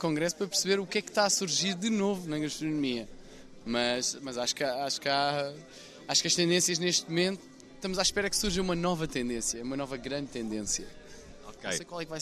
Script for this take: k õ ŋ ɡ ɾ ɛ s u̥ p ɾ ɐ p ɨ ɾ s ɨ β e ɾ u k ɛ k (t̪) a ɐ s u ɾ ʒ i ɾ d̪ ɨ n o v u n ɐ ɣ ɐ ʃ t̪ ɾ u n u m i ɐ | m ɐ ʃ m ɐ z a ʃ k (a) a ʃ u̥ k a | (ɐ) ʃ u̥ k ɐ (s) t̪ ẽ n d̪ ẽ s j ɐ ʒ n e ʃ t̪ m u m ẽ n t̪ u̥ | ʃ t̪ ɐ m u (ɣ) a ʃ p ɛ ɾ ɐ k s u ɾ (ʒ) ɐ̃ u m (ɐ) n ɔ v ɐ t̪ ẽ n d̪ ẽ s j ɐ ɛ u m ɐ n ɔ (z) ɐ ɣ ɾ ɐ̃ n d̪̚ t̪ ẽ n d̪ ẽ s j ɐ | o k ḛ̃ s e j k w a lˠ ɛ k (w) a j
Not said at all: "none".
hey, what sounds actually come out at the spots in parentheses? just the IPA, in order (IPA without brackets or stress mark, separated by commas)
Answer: t̪, a, a, ʃ, z, ʒ, ɐ, v, v